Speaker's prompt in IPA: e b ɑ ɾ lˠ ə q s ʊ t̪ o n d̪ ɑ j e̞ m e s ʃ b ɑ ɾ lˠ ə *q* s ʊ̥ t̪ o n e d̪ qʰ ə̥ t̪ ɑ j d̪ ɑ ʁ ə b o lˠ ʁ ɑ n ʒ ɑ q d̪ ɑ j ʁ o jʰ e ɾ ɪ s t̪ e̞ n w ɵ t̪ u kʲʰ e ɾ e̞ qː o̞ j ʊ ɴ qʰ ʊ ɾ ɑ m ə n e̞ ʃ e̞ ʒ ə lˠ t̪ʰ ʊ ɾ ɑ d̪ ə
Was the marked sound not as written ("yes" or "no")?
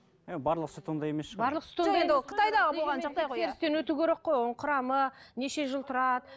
no